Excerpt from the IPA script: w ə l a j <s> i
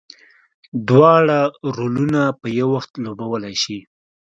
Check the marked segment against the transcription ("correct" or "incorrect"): incorrect